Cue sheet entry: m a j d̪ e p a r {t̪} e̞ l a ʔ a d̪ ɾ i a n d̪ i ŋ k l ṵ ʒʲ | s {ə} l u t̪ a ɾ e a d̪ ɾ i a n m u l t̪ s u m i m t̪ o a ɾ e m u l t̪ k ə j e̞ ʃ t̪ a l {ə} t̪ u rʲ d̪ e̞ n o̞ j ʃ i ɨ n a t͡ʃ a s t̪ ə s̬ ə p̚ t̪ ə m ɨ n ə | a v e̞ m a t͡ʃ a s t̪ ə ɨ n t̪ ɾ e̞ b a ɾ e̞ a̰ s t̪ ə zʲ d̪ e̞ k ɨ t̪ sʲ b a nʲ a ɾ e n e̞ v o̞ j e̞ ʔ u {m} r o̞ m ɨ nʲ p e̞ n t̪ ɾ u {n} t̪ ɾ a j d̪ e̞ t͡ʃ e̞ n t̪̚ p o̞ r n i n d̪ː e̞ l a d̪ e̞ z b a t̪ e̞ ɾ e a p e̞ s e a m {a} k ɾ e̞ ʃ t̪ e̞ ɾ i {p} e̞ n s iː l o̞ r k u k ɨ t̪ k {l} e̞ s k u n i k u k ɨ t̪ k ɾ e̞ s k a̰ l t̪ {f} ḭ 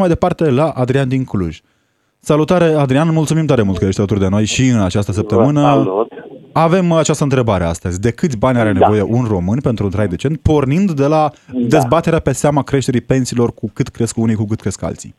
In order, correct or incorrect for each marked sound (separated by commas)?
correct, incorrect, correct, incorrect, correct, correct, correct, incorrect, incorrect